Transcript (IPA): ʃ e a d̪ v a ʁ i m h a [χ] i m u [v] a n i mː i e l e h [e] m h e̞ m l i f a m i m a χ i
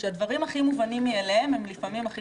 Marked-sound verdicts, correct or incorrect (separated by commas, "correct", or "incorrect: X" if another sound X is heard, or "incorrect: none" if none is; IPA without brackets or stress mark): correct, correct, correct